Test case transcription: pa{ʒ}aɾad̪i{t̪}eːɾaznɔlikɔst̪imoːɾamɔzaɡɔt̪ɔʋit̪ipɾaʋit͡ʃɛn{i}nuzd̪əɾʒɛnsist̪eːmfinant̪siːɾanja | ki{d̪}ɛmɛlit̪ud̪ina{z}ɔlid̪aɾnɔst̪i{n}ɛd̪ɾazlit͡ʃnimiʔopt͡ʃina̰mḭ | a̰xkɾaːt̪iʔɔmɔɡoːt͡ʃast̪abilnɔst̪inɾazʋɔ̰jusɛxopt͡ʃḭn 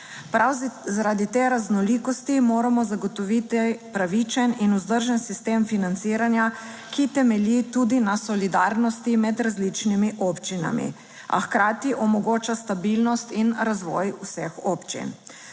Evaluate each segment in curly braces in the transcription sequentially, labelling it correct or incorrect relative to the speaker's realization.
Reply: incorrect: z, correct, correct, incorrect: t̪, incorrect: s, incorrect: m

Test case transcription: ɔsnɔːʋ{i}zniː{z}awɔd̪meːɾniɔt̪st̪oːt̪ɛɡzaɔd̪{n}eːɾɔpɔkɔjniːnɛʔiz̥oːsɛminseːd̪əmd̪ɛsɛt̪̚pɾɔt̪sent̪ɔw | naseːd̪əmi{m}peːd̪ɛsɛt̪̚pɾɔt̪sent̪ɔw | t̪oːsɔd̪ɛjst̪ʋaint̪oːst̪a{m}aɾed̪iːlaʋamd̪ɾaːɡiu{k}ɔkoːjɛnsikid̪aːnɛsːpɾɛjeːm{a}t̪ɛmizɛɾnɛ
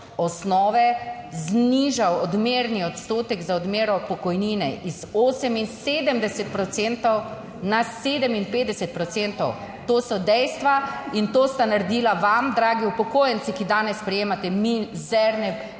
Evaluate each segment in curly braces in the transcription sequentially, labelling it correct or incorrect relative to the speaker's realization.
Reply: incorrect: ɛ, incorrect: ʒ, incorrect: m, incorrect: n, incorrect: n, incorrect: p, correct

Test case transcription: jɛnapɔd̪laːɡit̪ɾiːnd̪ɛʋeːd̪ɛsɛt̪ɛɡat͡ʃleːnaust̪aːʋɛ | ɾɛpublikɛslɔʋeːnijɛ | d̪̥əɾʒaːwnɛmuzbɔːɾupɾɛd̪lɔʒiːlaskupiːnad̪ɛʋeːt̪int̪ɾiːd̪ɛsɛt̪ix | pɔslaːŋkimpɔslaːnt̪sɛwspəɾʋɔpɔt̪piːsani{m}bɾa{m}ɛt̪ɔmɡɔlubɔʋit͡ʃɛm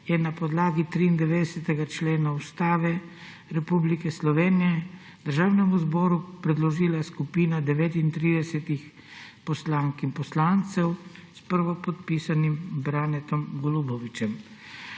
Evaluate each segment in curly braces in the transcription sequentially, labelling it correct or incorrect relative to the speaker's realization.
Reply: correct, incorrect: n

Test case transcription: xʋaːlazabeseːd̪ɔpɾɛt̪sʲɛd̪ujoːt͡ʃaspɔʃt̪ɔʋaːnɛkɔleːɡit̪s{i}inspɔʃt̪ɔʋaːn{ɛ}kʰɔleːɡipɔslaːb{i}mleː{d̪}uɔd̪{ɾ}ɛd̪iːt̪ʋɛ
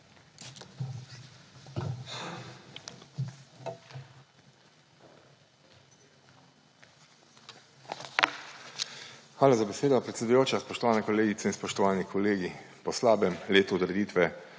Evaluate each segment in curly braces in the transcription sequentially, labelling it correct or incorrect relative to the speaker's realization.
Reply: incorrect: ɛ, incorrect: i, incorrect: ɛ, incorrect: t̪, correct

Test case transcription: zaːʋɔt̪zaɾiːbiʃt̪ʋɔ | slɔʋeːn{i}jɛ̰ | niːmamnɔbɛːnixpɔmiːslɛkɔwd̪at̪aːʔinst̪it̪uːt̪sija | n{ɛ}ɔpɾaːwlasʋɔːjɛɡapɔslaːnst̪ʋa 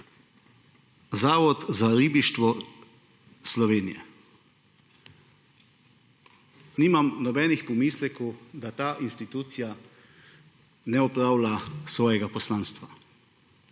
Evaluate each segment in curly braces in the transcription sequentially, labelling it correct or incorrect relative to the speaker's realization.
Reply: correct, correct

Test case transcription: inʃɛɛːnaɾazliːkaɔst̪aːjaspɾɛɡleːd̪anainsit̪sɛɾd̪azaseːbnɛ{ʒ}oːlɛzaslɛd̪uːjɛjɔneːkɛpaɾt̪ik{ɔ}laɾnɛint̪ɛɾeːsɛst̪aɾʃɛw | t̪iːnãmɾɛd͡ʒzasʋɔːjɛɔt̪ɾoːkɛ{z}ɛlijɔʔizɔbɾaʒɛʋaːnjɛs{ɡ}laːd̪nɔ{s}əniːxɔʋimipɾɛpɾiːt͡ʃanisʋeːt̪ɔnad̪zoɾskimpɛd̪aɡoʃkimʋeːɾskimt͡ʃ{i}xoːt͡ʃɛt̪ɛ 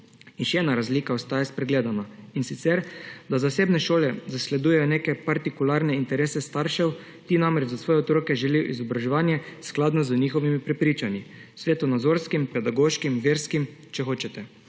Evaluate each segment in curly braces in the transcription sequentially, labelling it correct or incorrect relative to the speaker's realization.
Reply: incorrect: ʃ, incorrect: u, incorrect: ʒ, incorrect: k, incorrect: z, incorrect: ɛ

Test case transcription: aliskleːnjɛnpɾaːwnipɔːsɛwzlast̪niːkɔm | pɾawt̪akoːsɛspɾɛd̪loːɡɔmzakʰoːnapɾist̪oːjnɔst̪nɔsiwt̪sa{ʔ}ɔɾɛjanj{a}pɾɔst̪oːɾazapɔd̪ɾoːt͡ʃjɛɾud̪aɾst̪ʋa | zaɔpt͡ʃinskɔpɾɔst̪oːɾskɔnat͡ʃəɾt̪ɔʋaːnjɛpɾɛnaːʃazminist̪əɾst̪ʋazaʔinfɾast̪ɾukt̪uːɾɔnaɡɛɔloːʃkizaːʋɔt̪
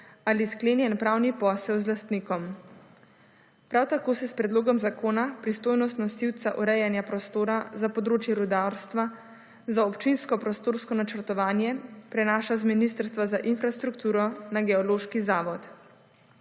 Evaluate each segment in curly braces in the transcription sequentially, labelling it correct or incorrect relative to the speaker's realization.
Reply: correct, correct

